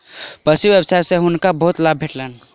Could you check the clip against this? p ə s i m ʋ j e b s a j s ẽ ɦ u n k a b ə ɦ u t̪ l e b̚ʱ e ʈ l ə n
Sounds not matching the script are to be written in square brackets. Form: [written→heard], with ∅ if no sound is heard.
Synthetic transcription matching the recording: p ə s i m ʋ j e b s a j s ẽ ɦ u n k a b ə ɦ u t̪ l [e→a] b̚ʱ e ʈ l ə n